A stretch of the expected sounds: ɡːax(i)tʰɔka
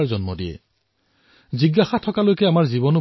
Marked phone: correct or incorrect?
incorrect